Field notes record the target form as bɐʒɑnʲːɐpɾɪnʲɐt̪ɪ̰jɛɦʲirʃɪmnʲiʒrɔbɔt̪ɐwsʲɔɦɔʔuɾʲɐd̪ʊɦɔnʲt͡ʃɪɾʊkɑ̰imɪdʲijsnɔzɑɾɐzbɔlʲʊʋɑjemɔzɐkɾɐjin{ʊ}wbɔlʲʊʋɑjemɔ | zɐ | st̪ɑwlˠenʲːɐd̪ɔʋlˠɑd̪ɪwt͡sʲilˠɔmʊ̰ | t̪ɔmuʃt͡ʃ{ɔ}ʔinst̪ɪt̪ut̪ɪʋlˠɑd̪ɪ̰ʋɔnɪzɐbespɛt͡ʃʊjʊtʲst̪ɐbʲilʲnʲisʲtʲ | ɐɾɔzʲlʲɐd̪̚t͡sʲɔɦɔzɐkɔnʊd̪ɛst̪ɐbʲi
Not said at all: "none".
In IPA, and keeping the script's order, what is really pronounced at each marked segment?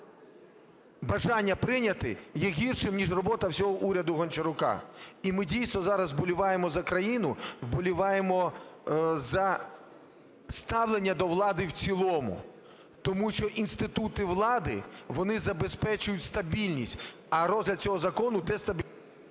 ʊ, ɔ

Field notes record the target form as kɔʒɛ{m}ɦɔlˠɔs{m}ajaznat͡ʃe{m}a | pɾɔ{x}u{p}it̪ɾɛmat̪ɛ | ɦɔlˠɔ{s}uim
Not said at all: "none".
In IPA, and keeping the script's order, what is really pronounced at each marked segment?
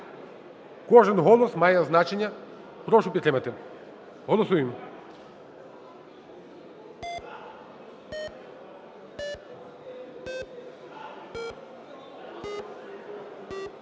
n, m, ɲ, ʃ, p, s

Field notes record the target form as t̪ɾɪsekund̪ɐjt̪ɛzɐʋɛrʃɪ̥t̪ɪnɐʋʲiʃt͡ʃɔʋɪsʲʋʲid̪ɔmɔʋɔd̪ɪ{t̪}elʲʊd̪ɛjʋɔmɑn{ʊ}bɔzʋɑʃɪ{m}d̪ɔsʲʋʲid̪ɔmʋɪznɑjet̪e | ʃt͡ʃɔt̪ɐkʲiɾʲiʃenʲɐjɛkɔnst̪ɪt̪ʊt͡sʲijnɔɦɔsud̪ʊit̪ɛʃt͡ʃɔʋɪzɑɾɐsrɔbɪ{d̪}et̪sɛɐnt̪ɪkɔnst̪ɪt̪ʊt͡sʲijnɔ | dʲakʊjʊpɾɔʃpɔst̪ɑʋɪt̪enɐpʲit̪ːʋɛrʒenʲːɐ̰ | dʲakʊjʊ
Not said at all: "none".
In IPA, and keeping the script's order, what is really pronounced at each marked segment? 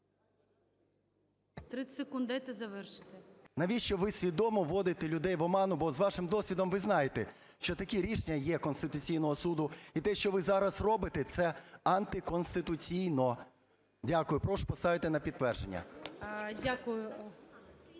t̪, ʊ, m, t̪

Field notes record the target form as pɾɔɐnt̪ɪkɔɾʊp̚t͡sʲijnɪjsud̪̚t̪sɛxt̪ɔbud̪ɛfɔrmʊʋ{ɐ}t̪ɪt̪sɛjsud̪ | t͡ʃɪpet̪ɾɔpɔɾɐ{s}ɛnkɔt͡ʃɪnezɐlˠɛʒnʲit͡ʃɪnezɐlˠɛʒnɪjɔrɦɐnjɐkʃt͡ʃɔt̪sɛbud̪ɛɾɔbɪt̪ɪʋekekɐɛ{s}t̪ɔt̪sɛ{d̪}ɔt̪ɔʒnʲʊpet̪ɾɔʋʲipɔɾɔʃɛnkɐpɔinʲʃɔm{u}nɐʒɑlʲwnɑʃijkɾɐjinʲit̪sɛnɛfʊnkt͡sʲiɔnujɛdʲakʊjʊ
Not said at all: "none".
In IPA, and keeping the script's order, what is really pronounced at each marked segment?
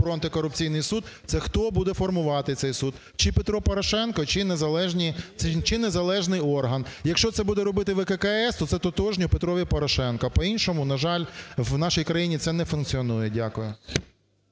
ɑ, ʃ, s, t̪, ʊ

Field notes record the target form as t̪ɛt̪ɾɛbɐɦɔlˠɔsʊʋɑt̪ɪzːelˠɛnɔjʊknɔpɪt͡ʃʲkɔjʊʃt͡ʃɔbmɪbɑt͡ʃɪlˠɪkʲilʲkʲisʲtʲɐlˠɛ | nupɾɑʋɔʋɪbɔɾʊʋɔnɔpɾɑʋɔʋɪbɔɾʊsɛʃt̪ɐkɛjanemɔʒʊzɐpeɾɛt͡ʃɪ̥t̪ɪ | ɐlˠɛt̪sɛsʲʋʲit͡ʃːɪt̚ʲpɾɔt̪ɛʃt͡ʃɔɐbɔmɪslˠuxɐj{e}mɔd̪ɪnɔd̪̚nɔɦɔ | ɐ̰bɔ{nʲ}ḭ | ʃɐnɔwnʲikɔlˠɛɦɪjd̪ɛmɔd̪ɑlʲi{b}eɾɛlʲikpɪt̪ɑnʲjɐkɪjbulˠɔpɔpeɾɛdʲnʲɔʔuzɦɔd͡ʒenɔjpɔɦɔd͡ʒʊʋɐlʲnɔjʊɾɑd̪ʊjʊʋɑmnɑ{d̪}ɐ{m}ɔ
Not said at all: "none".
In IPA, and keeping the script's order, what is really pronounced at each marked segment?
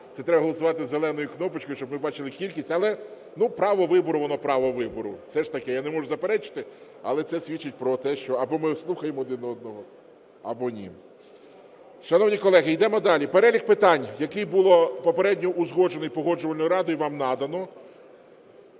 e, nʲ, p, d̪, n

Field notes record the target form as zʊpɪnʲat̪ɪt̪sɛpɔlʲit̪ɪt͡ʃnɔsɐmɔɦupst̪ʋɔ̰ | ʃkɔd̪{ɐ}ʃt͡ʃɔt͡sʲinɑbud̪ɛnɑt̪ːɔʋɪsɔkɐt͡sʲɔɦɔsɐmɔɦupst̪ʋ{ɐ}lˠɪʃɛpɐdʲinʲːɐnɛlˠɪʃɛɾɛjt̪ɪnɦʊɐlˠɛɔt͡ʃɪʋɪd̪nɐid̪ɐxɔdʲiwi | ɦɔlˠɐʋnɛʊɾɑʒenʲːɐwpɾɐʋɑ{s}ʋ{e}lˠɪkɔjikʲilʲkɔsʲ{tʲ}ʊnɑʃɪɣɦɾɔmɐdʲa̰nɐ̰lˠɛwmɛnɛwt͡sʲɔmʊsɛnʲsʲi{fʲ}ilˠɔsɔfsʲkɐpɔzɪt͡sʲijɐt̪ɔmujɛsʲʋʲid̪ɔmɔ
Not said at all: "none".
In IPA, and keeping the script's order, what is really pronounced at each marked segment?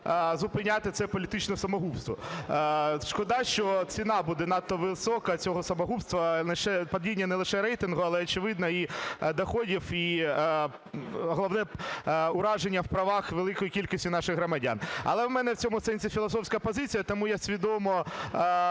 ɑ, ɐ, x, e, tʲ, fʲ

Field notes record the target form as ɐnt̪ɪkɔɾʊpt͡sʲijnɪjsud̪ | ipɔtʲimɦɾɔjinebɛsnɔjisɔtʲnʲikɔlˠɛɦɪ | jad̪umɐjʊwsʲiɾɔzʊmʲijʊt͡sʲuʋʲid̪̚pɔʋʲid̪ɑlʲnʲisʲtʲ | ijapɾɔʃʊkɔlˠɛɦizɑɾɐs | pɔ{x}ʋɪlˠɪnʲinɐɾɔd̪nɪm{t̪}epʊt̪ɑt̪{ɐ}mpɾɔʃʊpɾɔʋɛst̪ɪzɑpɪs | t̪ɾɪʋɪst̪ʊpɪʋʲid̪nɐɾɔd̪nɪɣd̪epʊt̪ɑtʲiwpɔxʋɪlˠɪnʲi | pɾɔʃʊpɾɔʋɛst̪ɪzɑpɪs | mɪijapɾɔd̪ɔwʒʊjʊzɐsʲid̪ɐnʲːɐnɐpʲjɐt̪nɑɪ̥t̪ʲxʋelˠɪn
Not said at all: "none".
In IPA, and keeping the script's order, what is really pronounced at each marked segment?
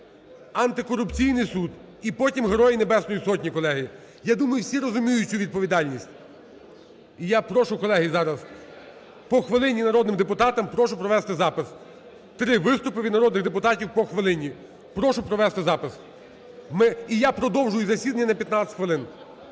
x, d̪, ɐ

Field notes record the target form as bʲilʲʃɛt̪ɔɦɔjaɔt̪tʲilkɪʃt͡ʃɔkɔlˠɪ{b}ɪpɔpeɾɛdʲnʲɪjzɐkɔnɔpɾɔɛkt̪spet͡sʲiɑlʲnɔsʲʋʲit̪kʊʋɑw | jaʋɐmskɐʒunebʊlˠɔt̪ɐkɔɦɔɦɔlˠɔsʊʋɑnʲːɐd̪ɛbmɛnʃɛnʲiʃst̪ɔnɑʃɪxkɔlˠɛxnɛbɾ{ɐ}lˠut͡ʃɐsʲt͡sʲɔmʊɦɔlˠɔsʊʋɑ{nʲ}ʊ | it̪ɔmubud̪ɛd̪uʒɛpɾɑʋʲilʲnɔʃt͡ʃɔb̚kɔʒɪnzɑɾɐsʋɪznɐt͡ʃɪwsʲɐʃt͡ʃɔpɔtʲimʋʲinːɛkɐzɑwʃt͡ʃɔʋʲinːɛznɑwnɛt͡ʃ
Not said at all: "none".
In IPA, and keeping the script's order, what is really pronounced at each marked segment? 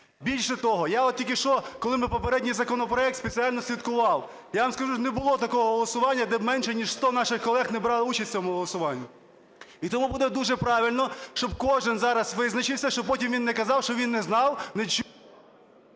m, ɑ, nʲː

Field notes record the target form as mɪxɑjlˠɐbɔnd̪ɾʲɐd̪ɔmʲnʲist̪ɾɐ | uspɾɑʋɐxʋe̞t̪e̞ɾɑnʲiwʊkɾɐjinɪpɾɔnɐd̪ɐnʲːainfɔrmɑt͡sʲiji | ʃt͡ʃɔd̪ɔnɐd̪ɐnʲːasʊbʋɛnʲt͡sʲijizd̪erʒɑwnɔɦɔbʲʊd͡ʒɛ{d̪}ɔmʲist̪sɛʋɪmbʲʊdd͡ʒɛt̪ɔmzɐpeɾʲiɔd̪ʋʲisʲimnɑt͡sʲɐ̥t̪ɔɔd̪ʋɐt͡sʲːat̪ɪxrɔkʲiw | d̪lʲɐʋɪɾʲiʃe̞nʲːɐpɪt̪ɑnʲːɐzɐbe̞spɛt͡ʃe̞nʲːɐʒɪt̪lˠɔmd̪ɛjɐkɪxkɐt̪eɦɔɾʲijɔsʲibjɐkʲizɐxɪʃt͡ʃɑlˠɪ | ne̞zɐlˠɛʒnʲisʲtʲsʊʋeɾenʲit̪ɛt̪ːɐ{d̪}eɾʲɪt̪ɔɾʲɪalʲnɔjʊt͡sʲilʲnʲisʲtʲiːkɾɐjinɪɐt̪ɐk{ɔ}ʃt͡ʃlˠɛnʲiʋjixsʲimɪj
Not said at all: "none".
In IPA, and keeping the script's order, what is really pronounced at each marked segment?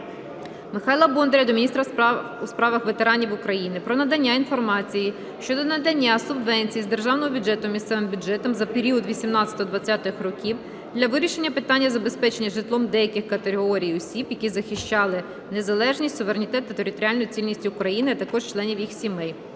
t̪, t̪, ɔ

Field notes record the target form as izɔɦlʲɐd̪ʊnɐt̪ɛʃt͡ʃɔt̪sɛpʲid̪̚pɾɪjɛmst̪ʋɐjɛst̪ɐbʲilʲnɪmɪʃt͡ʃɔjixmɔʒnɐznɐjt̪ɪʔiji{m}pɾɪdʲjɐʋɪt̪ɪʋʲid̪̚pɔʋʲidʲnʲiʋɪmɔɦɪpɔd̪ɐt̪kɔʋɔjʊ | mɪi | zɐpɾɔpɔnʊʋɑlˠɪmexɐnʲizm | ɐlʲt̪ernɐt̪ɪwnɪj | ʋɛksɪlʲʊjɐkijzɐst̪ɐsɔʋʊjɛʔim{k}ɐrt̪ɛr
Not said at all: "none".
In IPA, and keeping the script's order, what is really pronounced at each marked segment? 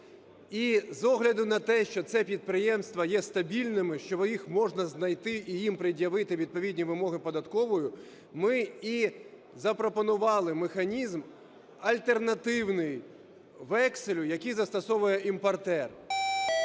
m, p

